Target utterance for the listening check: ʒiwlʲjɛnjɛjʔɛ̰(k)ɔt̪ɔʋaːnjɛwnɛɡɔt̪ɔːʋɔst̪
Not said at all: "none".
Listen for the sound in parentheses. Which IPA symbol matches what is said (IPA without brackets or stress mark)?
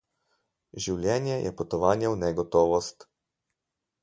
p